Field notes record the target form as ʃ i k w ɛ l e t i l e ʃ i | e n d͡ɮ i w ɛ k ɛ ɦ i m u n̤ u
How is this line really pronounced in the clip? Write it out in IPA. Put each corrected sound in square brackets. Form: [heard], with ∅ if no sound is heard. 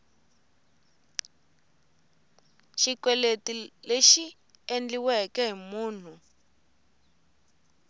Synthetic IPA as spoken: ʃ i k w ɛ l e t i l e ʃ i | e n d͡ɮ i w ɛ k ɛ ɦ i m [uː] n̤ u